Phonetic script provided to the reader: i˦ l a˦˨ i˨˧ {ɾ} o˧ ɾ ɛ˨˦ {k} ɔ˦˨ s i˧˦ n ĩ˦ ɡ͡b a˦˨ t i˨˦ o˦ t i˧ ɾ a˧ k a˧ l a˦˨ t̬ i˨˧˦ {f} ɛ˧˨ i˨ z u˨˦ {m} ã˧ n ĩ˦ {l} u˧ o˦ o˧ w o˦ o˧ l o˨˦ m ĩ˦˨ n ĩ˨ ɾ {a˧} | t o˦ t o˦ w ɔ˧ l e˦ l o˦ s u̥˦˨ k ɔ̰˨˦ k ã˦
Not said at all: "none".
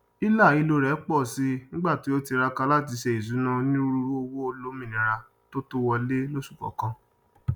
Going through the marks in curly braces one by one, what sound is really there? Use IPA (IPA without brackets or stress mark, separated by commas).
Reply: l, k͡p, ʃ, n, ɾ, a˧